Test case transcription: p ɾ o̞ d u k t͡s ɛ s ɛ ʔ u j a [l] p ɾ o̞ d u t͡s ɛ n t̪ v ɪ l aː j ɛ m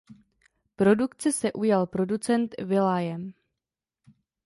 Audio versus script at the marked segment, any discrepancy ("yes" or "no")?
no